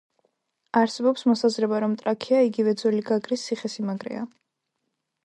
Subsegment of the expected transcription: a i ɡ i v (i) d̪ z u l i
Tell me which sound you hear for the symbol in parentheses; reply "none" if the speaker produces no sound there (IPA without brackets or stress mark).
ɛ